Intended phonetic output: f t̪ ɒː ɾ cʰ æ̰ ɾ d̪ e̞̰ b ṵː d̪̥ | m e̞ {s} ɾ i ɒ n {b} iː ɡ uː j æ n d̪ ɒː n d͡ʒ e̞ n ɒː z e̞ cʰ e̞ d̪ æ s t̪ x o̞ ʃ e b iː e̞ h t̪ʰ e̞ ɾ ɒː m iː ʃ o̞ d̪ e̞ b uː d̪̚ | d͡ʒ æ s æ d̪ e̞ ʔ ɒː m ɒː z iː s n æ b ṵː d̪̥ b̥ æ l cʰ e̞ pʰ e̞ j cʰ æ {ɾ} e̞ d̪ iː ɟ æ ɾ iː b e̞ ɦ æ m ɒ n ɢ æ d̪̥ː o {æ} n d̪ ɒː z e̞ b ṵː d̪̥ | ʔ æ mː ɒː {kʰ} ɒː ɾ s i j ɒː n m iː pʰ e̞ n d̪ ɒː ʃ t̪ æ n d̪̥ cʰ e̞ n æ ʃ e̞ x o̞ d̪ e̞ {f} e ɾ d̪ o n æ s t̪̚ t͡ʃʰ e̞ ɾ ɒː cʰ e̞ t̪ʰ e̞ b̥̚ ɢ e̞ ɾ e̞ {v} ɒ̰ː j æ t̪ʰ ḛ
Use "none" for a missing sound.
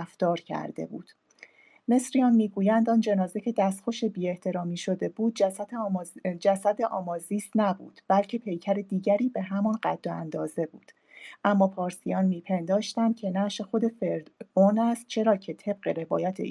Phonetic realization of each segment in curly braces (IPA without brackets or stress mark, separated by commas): s, m, ɾ, æ, pʰ, f, v